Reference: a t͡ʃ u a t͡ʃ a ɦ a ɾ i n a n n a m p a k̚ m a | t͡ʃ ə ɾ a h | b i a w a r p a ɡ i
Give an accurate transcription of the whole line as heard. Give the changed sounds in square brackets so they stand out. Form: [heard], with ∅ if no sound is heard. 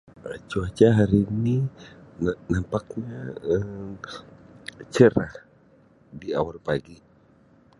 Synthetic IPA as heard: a t͡ʃ u a t͡ʃ a ɦ a ɾ i n [i] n n a m p a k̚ [ɲ] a | t͡ʃ ə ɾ a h | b i a w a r p a ɡ i